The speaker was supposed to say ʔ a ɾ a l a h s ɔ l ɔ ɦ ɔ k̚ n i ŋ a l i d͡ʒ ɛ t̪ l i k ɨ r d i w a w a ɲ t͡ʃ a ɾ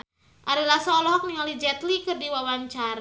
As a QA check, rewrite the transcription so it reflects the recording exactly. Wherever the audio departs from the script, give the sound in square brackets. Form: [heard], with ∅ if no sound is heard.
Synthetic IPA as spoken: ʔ a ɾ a l a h s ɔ l ɔ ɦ ɔ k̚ n i ŋ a l i d͡ʒ ɛ t̪ l i k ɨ r d i w a w a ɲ t͡ʃ a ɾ